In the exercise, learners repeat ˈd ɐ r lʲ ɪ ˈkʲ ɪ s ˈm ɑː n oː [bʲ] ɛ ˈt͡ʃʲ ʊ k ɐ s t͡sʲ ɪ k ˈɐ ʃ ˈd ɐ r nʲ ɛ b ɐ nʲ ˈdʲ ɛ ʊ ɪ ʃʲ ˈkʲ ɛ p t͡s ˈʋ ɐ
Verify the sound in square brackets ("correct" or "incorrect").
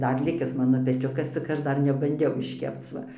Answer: incorrect